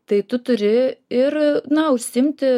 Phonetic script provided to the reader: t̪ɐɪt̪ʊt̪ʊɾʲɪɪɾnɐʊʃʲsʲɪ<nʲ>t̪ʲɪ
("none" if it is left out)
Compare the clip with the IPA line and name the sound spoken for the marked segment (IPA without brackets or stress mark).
mʲ